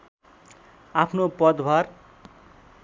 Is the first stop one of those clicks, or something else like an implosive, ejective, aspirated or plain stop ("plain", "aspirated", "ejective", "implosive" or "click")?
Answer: aspirated